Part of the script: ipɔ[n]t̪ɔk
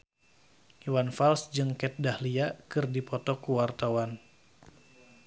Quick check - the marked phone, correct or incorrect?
incorrect